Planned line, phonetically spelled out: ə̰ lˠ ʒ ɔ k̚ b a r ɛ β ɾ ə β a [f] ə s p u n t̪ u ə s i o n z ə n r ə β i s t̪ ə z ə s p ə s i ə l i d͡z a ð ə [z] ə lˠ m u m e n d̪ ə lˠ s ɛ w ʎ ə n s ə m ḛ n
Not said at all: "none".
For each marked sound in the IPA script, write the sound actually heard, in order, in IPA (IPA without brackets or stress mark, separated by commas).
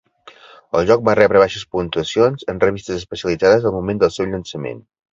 ʃ, z